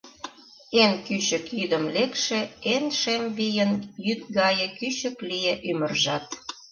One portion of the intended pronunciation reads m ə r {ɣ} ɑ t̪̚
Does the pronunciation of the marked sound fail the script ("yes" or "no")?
yes